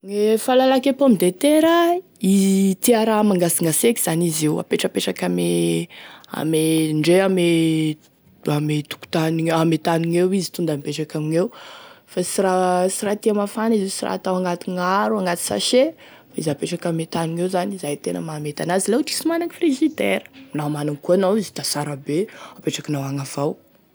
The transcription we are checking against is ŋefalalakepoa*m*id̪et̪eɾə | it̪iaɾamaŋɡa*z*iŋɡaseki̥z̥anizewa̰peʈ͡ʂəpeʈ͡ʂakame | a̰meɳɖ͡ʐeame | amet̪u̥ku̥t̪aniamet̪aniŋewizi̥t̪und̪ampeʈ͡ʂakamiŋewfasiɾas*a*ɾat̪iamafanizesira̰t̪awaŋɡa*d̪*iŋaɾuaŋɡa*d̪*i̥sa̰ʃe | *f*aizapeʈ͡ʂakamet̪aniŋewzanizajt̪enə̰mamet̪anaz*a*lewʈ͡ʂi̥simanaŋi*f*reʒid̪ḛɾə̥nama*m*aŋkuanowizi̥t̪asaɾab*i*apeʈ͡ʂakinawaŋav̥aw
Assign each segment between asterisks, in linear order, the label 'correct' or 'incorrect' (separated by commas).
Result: correct, incorrect, incorrect, incorrect, incorrect, correct, incorrect, correct, incorrect, incorrect